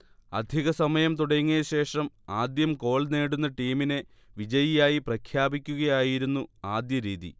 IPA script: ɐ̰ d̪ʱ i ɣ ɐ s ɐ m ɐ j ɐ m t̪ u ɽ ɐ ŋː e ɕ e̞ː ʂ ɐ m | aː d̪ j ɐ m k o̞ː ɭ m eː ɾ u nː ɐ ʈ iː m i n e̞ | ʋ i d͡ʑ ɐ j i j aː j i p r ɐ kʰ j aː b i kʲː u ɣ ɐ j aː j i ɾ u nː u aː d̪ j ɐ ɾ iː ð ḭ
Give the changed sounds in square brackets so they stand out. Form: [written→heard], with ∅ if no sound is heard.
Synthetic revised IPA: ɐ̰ d̪ʱ i ɣ ɐ s ɐ m ɐ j ɐ m t̪ u ɽ ɐ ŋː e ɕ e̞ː ʂ ɐ m | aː d̪ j ɐ m k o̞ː ɭ [m→n] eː [ɾ→ɽ] u nː ɐ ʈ iː m i n e̞ | ʋ i d͡ʑ ɐ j i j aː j i p r ɐ kʰ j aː b i kʲː u ɣ ɐ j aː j i ɾ u nː u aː d̪ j ɐ ɾ iː ð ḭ